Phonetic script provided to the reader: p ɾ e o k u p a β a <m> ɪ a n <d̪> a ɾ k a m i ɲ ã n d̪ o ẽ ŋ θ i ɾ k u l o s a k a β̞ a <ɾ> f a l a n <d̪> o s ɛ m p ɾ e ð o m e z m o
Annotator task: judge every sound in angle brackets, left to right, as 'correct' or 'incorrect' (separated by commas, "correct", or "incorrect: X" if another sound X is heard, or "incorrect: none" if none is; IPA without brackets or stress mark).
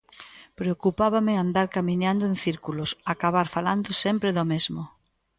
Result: correct, correct, correct, correct